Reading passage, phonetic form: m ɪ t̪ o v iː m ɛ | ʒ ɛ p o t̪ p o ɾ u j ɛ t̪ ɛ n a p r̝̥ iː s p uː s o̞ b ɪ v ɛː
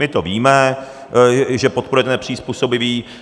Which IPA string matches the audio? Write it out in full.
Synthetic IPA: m ɪ t̪ o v iː m ɛ | ʒ ɛ p o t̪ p o ɾ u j ɛ t̪ ɛ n ɛ p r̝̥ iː s p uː s o̞ b ɪ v iː

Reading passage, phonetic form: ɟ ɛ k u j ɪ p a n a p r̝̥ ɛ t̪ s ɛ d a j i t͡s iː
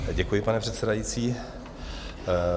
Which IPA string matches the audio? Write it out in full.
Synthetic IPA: ɟ ɛ k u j ɪ p a n ɛ p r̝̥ ɛ t̪ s ɛ d a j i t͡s iː

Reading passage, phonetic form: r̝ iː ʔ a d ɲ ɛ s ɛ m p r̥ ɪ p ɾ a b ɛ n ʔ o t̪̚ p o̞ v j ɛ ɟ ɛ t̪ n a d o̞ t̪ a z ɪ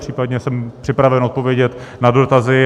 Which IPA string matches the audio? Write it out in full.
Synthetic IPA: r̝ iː p a d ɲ ɛ s ɛ m p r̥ ɪ p ɾ a v ɛ n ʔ o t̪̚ p o̞ v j ɛ ɟ ɛ t̪ n a d o̞ t̪ a z ɪ

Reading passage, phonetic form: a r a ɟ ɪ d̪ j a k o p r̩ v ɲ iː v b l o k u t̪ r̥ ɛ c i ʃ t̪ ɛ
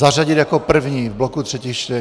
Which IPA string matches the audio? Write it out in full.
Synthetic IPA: a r a ɟ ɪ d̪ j a k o p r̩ v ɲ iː v b l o k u t̪ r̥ ɛ c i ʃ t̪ ɛ

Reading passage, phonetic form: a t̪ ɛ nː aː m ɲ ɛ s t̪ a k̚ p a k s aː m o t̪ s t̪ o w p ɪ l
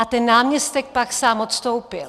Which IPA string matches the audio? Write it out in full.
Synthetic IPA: a t̪ ɛ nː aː m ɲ ɛ s t̪ ɛ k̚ p a k s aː m o t̪ s t̪ o w p ɪ l

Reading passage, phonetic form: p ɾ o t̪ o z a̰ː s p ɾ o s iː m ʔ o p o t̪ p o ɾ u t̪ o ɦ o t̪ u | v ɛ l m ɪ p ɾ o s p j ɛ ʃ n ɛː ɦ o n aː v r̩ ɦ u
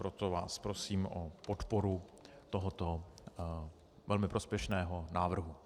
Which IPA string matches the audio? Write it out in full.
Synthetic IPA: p ɾ o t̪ o v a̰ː s p ɾ o s iː m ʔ o p o t̪ p o ɾ u t̪ o ɦ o t̪ o | v ɛ l m ɪ p ɾ o s p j ɛ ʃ n ɛː ɦ o n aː v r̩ ɦ u

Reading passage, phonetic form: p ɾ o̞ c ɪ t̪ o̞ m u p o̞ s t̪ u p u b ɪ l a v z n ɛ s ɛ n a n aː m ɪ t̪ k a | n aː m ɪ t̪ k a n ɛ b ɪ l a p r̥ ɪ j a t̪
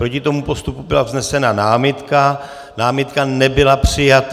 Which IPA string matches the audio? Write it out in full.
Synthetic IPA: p ɾ o̞ c ɪ t̪ o̞ m u p o̞ s t̪ u p u b ɪ l a v z n ɛ s ɛ n a n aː m ɪ t̪ k a | n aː m ɪ t̪ k a n ɛ b ɪ l a p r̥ ɪ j a t̪

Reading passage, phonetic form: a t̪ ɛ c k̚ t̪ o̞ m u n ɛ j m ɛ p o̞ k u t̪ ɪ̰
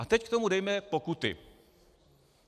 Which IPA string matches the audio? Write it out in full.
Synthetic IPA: a t̪ ɛ c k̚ t̪ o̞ m u d ɛ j m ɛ p o̞ k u t̪ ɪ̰

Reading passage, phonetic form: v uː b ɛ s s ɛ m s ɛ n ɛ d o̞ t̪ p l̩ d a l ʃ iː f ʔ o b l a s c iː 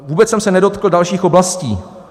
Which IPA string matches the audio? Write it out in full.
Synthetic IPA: v uː b ɛ t͡s s ɛ m s ɛ n ɛ d o̞ t̪ k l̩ d a l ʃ iː x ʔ o b l a s c iː

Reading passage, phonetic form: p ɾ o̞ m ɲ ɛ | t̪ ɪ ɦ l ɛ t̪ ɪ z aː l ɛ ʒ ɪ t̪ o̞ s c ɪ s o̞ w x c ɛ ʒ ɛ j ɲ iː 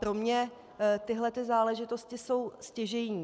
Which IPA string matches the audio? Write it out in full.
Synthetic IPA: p ɾ o̞ m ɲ ɛ | t̪ ɪ ɦ l ɛ t̪ ɪ z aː l ɛ ʒ ɪ t̪ o̞ s c ɪ s o̞ w s c ɛ ʒ ɛ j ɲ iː

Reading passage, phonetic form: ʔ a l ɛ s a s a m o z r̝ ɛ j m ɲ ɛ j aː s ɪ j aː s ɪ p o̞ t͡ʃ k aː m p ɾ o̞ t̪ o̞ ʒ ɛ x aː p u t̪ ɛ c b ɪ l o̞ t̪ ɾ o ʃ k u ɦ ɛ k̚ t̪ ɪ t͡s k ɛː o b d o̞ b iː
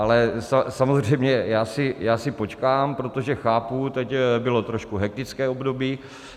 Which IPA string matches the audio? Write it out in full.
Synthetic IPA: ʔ a l ɛ s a s a m o z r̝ ɛ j m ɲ ɛ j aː s ɪ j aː s ɪ p o̞ t͡ʃ k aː m p ɾ o̞ t̪ o̞ ʒ ɛ x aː p u t̪ ɛ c b ɪ l o̞ t̪ ɾ o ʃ k u ɦ ɛ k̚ t̪ ɪ t͡s k ɛː o b d o̞ b iː

